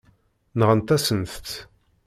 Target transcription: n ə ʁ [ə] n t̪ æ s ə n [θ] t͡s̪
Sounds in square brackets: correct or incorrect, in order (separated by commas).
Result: correct, correct